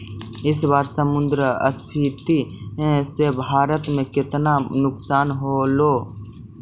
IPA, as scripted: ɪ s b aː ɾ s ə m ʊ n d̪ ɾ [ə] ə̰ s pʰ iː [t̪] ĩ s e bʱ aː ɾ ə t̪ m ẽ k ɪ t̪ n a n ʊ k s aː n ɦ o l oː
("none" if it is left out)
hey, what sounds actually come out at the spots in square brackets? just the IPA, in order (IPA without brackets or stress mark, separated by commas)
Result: ə, t̪